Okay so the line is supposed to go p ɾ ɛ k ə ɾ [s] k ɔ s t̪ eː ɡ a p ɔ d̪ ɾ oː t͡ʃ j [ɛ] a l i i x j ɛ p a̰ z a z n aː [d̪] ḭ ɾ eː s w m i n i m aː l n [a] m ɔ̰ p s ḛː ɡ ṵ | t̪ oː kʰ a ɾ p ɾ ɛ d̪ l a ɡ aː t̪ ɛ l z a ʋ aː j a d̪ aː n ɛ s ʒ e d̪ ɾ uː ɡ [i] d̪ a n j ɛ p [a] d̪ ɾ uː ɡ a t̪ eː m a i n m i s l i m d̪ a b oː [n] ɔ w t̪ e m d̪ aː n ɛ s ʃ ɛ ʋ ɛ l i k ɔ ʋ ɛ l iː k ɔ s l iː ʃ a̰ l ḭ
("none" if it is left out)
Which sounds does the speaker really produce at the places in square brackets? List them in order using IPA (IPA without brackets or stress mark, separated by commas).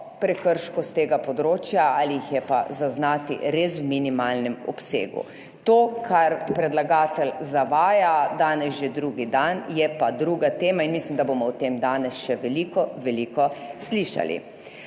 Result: ʃ, a, t̪, ɛ, i, a, m